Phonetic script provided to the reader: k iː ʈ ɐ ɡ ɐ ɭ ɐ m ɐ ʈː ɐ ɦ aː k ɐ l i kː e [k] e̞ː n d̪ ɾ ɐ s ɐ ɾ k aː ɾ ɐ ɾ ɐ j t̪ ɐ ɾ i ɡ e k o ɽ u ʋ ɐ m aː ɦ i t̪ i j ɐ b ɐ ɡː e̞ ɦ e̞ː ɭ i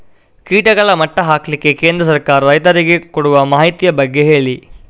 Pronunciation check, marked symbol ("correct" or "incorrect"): correct